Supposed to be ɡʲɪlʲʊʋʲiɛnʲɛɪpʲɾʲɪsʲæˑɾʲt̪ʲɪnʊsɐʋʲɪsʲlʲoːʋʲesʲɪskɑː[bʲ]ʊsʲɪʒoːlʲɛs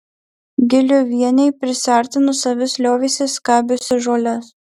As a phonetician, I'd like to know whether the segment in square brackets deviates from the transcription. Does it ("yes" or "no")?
no